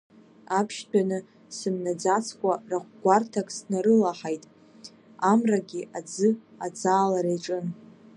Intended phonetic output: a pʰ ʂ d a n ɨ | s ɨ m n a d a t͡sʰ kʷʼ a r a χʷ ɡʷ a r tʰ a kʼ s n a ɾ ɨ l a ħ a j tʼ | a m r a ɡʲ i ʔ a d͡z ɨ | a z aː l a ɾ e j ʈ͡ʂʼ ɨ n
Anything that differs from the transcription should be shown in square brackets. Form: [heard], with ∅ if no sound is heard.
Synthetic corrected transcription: a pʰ [ʃ] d a n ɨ | s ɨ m n a [d͡z] a t͡sʰ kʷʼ a r a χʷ ɡʷ a r tʰ a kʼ s n a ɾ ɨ l a ħ a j tʼ | a m r a ɡʲ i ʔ a d͡z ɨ | a [d͡z] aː l a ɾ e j ʈ͡ʂʼ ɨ n